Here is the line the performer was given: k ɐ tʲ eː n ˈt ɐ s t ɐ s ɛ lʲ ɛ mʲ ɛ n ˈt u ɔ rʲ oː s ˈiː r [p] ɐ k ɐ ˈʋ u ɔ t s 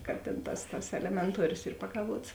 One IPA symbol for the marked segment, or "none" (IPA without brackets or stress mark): p